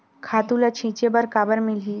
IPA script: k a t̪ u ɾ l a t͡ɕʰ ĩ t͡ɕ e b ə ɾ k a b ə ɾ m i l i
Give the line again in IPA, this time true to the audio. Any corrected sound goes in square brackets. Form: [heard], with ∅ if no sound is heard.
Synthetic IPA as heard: [kʰ] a t̪ u [∅] l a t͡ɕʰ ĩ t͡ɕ e b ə ɾ k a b ə ɾ m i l i